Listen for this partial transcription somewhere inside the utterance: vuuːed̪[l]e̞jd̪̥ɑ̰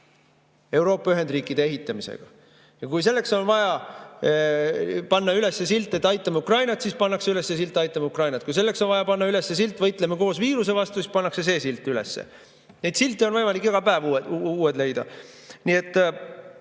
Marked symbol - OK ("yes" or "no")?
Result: yes